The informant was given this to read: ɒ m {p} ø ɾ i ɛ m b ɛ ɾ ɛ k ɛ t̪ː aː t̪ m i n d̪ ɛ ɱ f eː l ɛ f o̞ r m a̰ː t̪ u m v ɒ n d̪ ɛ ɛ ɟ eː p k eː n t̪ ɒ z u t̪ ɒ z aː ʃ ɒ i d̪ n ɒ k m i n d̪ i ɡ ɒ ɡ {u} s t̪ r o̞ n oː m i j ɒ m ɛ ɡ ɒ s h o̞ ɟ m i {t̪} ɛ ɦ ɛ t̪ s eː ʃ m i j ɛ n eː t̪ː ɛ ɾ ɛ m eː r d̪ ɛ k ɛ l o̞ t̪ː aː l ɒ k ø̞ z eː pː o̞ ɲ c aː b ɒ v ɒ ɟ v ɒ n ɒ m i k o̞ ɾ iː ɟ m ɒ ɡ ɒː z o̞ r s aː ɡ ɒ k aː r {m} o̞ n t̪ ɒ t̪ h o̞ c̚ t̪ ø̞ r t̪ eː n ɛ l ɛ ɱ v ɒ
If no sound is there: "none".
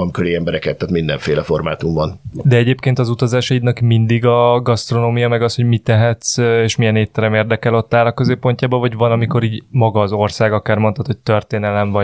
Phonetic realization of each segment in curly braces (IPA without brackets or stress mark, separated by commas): k, ɒ, t̪, m